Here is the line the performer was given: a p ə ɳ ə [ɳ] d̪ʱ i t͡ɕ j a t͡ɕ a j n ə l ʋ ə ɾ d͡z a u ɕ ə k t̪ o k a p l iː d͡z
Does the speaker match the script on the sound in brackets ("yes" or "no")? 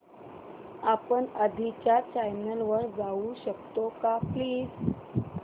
no